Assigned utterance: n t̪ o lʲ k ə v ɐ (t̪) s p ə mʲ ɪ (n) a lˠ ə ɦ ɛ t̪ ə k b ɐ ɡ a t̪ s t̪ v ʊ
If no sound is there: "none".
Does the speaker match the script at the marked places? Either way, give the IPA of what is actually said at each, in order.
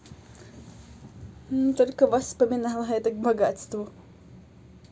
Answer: none, n

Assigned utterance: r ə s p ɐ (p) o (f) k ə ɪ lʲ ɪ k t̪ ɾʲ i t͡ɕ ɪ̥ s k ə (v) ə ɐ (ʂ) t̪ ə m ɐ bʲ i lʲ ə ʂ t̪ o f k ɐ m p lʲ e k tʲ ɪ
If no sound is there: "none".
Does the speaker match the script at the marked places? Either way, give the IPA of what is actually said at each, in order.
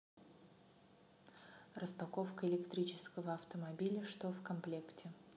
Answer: k, f, v, f

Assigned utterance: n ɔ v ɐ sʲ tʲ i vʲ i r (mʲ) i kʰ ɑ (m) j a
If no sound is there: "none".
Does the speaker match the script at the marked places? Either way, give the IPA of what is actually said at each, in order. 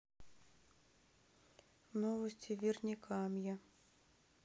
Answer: nʲ, m

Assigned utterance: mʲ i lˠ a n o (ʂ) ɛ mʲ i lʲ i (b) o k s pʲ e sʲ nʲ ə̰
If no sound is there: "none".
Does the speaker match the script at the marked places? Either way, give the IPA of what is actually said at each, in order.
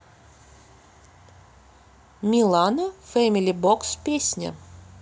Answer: f, b

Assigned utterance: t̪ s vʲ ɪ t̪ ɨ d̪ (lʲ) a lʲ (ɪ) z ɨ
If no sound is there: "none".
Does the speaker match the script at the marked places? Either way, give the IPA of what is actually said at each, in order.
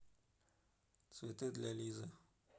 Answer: lʲ, i

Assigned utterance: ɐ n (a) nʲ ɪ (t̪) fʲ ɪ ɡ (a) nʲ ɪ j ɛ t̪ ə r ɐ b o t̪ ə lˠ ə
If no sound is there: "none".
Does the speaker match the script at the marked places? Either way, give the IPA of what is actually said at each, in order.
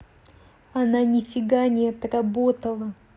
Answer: a, none, a

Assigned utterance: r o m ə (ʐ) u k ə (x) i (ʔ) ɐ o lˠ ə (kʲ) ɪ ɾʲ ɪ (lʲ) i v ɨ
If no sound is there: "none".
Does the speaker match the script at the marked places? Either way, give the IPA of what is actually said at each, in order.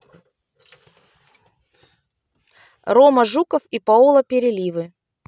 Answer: ʐ, f, p, pʲ, lʲ

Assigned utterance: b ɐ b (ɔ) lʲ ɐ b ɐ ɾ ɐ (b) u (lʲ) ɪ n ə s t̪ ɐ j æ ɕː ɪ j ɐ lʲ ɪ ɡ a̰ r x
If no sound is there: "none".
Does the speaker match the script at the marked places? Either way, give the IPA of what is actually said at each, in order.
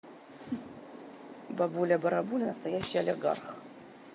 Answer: u, b, lʲ

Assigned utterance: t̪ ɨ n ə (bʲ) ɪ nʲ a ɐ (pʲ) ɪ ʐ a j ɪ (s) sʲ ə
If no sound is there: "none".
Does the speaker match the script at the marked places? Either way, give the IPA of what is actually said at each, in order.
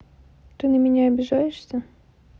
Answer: mʲ, bʲ, ʂ

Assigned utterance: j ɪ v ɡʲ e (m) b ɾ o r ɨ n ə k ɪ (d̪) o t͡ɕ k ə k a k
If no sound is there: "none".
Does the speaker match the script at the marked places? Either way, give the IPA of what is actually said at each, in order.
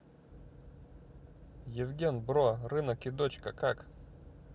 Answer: n, d̪

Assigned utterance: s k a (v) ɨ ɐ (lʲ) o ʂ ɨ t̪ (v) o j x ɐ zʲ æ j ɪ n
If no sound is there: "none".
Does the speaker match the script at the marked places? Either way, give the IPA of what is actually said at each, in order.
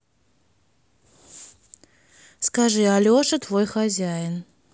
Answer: ʐ, lʲ, v

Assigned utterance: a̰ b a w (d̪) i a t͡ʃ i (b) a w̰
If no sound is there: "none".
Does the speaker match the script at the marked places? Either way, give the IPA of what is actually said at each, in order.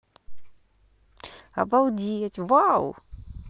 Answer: d̪, v

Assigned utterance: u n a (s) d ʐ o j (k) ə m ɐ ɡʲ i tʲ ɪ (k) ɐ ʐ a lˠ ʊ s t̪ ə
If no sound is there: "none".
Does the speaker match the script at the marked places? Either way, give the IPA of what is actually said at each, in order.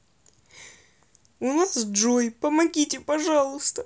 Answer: s, p, p

